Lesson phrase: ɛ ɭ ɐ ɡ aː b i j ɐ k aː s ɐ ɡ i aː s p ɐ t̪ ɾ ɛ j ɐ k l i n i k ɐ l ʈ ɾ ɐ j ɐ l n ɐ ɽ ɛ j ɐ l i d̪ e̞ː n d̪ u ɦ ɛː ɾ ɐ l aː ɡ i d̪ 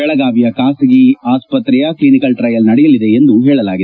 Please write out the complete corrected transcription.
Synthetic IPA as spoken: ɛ ɭ ɐ ɡ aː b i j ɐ k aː s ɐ ɡ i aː s p ɐ t̪ ɾ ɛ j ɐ k l i n i k ɐ l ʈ ɾ ɐ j ɐ l n ɐ ɽ ɛ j ɐ l i d̪ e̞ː n d̪ u ɦ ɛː ɭ ɐ l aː ɡ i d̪